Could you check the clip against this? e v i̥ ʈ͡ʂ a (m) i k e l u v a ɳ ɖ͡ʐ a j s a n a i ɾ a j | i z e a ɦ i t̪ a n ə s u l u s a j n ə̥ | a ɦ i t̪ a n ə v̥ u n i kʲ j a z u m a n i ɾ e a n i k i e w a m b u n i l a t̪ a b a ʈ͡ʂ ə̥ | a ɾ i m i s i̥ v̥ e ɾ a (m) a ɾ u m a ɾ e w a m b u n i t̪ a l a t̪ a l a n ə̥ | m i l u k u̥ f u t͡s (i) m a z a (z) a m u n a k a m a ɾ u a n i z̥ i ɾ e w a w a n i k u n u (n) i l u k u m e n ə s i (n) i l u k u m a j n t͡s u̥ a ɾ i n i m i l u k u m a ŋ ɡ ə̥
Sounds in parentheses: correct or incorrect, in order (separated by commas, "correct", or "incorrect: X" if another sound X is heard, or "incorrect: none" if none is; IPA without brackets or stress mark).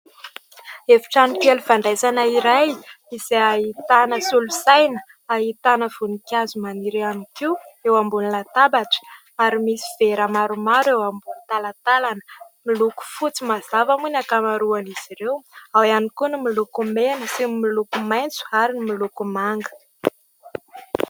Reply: incorrect: n, correct, correct, incorrect: v, incorrect: m, incorrect: m